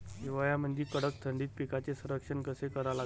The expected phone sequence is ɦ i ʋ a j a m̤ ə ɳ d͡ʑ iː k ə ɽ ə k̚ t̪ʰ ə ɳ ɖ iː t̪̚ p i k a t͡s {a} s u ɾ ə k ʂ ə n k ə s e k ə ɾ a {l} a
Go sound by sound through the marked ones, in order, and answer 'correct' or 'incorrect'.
incorrect, correct

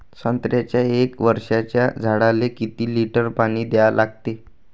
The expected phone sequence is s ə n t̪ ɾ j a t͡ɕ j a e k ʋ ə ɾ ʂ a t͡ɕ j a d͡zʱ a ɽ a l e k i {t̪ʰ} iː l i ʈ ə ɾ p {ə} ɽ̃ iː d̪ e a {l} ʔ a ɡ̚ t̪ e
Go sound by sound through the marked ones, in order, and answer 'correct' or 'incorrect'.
incorrect, incorrect, correct

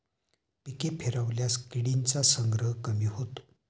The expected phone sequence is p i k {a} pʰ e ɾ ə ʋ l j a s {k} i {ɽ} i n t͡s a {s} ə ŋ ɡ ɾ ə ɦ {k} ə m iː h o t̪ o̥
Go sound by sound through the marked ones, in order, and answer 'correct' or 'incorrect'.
incorrect, correct, correct, correct, correct

